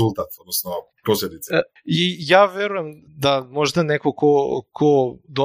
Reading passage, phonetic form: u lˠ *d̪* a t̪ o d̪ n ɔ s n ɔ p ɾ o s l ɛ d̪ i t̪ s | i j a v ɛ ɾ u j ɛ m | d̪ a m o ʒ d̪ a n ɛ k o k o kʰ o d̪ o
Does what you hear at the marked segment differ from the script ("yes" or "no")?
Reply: yes